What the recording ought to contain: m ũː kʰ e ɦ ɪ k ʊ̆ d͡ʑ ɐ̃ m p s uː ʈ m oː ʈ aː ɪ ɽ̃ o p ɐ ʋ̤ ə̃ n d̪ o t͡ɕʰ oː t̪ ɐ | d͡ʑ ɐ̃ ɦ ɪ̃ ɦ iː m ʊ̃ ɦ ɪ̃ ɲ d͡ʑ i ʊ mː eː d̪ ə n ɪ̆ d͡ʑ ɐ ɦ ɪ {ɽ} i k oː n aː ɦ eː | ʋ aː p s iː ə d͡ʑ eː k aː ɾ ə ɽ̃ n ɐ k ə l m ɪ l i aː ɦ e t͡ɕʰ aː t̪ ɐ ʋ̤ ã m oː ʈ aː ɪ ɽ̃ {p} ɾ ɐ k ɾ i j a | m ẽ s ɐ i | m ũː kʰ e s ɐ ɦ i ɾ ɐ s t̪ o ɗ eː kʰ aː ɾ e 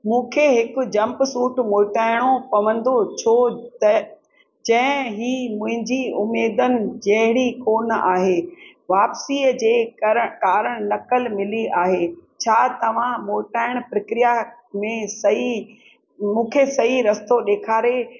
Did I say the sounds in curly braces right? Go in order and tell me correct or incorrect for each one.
correct, correct

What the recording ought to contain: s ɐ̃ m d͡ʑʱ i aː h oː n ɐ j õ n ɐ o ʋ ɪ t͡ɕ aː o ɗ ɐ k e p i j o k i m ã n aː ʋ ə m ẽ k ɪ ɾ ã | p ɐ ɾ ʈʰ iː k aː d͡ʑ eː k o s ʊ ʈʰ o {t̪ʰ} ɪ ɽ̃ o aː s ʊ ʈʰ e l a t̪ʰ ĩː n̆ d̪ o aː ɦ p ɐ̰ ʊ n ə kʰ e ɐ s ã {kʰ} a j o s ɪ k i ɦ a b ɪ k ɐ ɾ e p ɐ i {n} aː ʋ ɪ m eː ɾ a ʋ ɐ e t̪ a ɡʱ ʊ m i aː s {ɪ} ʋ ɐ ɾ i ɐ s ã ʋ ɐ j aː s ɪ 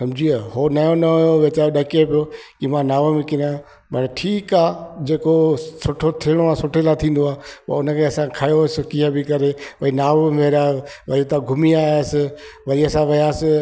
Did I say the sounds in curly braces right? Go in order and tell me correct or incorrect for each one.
correct, correct, correct, correct

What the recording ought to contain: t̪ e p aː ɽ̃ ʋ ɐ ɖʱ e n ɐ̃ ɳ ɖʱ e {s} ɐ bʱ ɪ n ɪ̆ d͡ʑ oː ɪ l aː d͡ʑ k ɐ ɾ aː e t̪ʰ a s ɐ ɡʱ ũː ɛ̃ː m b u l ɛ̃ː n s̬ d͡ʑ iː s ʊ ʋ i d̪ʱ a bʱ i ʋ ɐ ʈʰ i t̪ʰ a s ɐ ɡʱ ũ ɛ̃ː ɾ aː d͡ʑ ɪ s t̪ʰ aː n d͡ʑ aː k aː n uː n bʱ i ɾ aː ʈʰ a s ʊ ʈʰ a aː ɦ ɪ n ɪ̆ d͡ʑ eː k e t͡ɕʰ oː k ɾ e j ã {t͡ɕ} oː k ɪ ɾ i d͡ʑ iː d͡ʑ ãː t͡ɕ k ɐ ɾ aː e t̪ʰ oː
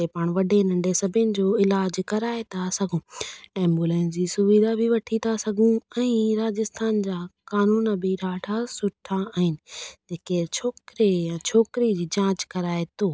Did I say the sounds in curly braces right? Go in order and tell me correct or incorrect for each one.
correct, incorrect

